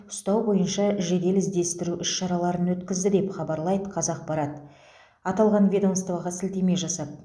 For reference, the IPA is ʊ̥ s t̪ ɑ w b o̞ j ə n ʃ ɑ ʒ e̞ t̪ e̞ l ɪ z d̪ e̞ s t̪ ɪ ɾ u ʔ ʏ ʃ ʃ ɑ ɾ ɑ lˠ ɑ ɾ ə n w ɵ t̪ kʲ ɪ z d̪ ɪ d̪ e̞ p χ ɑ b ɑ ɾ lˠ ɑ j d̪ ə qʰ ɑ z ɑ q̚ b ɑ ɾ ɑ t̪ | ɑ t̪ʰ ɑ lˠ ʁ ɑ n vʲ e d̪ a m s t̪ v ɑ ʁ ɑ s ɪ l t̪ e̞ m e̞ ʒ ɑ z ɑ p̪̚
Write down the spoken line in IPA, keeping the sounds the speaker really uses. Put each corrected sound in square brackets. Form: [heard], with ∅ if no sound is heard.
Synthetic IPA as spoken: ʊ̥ s t̪ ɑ w b o̞ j ə n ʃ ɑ ʒ e̞ [d̪] e̞ l ɪ z d̪ e̞ s t̪ ɪ ɾ u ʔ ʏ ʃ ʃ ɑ ɾ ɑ lˠ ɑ ɾ ə n w ɵ t̪ kʲ ɪ z d̪ ɪ d̪ e̞ p χ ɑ b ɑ ɾ lˠ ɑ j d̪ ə qʰ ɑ z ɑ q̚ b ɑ ɾ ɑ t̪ | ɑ [t̪] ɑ lˠ ʁ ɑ n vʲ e d̪ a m s t̪ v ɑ ʁ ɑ s ɪ l t̪ e̞ m e̞ ʒ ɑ [s] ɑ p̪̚